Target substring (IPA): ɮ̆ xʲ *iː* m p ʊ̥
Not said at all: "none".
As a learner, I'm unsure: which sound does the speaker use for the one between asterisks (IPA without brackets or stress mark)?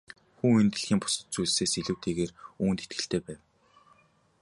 iː